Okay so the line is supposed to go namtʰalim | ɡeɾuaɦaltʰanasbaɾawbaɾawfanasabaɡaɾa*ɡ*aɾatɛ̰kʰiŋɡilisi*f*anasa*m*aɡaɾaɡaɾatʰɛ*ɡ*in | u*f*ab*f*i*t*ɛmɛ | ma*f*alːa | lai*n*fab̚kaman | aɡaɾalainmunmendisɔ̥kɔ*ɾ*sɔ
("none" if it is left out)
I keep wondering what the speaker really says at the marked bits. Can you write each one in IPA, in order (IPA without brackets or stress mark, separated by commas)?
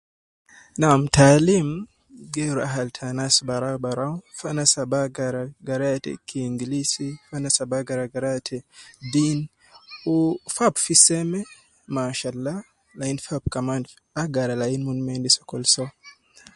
ɡ, f, b, d, f, f, s, ʃ, n, l